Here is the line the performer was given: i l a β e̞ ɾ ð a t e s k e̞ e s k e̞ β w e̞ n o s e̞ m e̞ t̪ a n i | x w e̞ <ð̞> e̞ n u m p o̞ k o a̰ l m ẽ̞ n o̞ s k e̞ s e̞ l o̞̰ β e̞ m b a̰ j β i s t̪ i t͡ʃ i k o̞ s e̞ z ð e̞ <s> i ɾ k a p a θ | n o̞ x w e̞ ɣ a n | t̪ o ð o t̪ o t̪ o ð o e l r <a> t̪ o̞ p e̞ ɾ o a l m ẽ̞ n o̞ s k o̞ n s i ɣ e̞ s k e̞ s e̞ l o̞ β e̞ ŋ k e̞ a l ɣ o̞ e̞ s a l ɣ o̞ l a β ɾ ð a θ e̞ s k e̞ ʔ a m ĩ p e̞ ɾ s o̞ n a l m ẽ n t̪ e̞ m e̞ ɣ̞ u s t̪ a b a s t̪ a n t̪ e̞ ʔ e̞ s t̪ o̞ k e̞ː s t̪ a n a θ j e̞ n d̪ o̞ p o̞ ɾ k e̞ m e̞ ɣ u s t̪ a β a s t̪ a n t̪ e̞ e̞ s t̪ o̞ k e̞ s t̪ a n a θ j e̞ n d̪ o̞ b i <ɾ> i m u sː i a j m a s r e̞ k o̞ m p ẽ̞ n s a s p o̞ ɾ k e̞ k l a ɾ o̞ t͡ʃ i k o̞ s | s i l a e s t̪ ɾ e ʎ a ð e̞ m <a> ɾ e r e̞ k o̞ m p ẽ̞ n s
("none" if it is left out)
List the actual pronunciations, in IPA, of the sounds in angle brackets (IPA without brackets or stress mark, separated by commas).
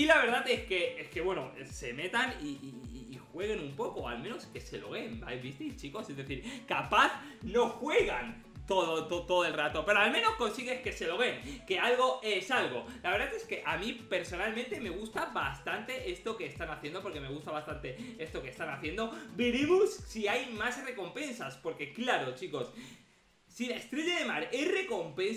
ɣ̞, θ, a, ɾ, a